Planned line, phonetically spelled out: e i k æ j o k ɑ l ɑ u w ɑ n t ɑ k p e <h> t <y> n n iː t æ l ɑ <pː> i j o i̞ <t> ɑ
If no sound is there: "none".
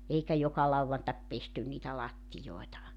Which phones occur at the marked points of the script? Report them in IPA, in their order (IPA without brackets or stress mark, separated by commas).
s, y, tː, t